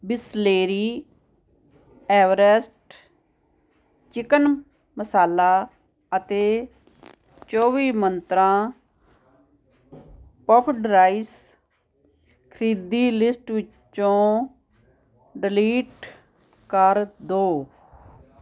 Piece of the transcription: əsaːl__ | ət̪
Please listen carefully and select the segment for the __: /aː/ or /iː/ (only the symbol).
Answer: aː